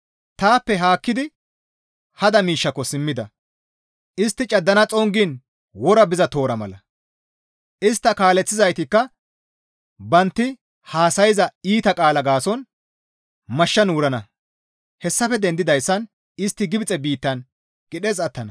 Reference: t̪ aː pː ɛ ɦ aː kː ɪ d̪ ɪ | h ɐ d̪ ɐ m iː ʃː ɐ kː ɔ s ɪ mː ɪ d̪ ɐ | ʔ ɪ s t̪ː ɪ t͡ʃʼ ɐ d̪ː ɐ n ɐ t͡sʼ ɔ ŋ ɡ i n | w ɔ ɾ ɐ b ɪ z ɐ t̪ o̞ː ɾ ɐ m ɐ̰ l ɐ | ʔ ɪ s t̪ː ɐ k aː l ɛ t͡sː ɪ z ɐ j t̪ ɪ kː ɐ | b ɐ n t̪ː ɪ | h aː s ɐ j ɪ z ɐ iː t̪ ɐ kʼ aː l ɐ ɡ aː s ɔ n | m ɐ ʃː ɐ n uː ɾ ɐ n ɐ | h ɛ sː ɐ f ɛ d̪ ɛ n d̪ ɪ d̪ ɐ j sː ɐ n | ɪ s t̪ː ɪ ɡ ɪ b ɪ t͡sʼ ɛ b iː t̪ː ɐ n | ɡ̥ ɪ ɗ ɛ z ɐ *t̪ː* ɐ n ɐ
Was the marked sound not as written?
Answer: no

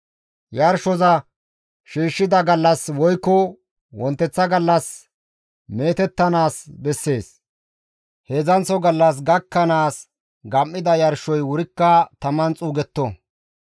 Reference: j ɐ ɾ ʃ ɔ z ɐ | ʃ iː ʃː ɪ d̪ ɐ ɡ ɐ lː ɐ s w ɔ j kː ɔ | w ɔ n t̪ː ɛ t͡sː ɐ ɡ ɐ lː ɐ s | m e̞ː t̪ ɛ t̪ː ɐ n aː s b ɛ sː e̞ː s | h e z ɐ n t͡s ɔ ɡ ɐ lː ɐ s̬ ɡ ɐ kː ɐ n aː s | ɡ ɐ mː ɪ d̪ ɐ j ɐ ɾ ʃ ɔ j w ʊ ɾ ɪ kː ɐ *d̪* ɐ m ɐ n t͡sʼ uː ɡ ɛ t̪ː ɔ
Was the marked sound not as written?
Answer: yes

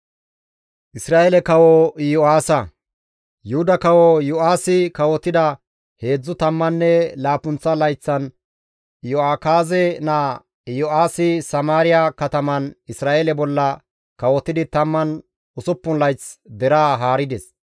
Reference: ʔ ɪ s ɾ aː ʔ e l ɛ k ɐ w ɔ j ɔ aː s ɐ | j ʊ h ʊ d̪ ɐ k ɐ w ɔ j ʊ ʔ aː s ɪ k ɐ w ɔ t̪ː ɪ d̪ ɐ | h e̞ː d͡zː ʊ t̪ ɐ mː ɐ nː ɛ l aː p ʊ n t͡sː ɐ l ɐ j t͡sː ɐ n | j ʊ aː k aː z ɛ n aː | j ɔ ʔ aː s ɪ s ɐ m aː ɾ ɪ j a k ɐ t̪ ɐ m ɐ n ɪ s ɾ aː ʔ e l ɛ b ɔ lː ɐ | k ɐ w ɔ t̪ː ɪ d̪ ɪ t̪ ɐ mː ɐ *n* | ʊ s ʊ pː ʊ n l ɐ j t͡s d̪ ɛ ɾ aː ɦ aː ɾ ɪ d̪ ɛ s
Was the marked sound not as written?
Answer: no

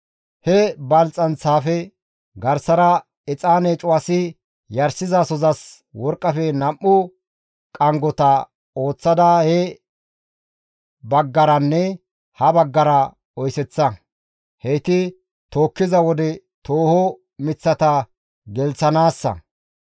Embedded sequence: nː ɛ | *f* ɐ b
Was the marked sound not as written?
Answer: yes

